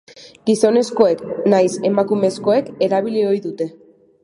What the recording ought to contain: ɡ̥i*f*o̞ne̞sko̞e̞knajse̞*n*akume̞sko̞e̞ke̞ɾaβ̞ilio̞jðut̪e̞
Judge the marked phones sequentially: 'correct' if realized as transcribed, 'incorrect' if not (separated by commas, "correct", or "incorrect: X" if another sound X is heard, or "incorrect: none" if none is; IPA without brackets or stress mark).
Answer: incorrect: s, incorrect: m